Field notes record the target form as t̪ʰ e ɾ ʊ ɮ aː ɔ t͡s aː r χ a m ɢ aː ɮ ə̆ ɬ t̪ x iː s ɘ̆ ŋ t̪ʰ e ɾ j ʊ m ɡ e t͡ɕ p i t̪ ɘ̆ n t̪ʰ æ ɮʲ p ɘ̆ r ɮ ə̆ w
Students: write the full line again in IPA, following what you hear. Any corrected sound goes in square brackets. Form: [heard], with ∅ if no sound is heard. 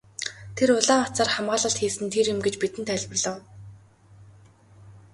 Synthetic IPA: t̪ʰ e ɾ ʊ ɮ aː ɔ t͡s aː r χ a m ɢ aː ɮ ə̆ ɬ t̪ x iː s ɘ̆ [n] t̪ʰ e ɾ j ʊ m ɡ e t͡ɕ p i t̪ ɘ̆ n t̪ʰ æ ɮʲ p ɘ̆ r ɮ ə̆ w